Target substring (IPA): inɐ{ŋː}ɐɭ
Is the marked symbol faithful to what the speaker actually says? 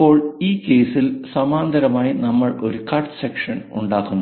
no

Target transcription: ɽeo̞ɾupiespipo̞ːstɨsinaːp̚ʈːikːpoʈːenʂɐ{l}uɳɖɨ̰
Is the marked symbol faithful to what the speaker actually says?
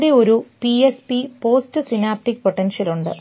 yes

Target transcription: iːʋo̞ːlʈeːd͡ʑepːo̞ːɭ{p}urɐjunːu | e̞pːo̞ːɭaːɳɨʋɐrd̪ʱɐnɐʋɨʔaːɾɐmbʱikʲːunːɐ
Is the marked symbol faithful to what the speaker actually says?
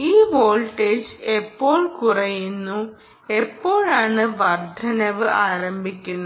no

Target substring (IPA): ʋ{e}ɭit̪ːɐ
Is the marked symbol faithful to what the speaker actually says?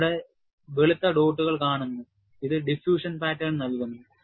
yes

